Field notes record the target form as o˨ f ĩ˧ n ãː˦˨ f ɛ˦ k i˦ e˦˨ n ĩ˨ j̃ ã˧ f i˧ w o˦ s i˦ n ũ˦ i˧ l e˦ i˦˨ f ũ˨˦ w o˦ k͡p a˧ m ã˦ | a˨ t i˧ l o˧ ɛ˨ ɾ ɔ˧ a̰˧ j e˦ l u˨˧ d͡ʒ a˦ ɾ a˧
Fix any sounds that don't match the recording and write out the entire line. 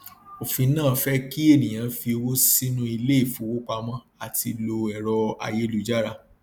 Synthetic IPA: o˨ f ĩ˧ n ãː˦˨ f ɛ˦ k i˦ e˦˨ n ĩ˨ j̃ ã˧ f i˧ w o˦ s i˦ n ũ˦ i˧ l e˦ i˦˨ f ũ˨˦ w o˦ k͡p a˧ m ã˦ | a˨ t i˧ l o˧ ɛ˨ ɾ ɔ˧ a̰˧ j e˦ l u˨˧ d͡ʒ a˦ ɾ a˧